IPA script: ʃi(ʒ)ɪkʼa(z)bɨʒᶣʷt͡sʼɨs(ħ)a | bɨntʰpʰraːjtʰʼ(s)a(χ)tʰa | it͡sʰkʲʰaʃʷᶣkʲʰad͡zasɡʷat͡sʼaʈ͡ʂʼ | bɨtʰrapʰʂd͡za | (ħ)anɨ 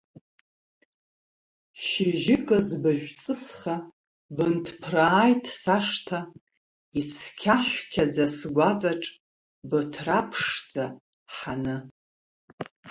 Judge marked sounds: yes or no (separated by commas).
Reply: yes, yes, no, yes, no, yes